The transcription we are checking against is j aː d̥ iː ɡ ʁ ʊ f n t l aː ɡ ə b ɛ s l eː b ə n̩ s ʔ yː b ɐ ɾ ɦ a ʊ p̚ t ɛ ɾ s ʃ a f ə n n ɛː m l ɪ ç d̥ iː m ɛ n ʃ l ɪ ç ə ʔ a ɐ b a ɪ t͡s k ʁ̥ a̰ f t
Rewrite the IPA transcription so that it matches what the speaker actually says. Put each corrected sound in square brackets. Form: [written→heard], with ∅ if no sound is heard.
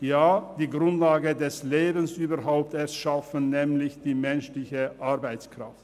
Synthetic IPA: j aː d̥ iː ɡ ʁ ʊ [f→∅] n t l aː ɡ ə [b→d] ɛ s l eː b ə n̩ s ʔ yː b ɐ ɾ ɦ a ʊ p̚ t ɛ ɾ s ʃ a f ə n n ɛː m l ɪ ç d̥ iː m ɛ n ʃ l ɪ ç ə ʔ a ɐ b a ɪ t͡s k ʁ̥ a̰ f t